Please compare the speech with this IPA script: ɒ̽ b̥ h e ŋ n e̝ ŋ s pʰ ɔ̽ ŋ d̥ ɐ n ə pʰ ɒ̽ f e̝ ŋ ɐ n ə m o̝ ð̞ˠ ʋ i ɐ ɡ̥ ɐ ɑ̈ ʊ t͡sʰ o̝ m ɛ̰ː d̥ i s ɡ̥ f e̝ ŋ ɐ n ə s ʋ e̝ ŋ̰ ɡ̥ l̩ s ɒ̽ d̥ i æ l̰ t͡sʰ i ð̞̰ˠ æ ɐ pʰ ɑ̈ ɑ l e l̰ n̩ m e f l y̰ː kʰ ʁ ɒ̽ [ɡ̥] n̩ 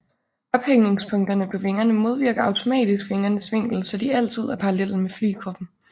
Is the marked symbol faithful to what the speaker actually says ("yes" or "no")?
no